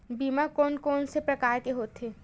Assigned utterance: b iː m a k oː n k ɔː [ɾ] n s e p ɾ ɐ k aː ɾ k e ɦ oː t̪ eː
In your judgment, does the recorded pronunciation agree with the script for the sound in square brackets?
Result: no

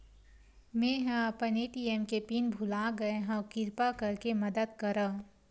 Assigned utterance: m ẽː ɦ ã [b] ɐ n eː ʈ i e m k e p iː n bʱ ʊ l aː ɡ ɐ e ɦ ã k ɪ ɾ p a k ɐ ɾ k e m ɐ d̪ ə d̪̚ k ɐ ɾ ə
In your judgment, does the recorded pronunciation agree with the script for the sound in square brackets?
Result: no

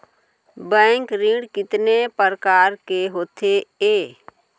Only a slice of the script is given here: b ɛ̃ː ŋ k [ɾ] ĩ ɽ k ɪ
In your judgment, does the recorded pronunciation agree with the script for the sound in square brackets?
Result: yes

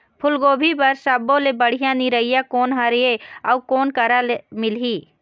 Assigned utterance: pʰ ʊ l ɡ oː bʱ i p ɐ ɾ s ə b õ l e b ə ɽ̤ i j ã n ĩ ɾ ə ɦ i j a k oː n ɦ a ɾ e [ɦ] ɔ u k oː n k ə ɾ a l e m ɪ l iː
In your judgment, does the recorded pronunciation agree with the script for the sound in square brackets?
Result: no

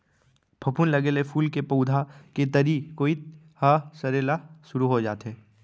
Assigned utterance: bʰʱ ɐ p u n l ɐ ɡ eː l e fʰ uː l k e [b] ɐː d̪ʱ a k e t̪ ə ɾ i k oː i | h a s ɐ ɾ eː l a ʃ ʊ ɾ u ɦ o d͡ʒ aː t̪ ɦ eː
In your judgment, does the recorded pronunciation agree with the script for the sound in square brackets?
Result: no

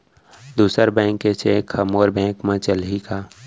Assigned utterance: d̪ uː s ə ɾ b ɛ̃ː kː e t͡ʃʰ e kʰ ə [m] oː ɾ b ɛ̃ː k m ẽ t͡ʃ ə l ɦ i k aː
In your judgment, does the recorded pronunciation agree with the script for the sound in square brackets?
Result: yes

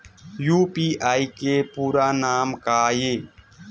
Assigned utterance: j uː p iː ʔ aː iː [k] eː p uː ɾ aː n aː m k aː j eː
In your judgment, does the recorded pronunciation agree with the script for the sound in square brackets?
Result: yes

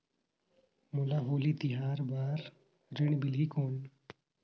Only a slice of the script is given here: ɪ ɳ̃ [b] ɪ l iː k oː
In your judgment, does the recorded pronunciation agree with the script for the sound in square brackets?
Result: yes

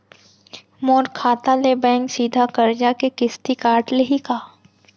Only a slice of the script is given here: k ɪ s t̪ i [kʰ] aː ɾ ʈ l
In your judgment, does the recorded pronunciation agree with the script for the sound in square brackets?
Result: no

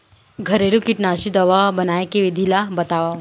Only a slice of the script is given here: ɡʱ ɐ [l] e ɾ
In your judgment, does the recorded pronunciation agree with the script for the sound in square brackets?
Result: no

